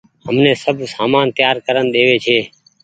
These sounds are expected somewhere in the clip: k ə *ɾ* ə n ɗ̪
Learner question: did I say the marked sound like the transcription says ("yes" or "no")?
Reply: yes